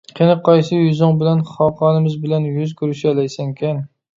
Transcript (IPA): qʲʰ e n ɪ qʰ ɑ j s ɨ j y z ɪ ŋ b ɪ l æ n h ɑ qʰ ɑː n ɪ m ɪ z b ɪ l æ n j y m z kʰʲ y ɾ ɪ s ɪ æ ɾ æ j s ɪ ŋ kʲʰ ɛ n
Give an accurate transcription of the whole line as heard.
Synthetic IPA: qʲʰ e n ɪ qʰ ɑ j s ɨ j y z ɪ ŋ b ɪ l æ n χ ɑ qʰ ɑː n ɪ m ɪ z b ɪ l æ n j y z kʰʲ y ɾ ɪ ʃ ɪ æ l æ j s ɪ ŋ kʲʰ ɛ n